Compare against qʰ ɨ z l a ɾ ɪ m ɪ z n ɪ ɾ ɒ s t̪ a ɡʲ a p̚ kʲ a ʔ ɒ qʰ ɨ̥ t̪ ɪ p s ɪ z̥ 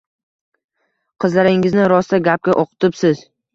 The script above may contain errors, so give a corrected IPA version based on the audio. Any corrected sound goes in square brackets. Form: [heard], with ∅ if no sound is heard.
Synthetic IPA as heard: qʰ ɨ z l a ɾ ɪ [ŋ] ɪ z n ɪ ɾ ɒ s t̪ a ɡʲ a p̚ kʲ a ʔ [o] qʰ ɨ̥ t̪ ɪ p s ɪ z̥